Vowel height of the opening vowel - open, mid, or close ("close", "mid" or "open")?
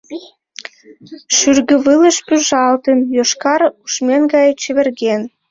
close